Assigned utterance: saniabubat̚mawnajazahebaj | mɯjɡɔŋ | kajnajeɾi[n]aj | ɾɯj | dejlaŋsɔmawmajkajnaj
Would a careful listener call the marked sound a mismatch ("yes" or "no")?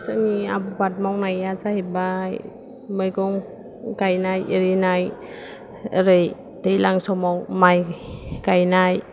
no